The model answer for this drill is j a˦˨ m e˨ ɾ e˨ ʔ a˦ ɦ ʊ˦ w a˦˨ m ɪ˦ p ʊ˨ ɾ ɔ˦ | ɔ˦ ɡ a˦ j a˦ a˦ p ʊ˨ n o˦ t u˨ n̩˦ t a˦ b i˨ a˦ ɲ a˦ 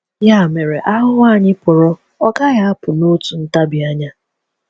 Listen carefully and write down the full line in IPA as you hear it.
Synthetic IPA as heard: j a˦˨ m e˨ ɾ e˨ ʔ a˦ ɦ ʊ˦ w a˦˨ ɲ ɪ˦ p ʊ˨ ɾ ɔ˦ | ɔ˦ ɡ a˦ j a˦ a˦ p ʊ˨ n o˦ t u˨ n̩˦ t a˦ b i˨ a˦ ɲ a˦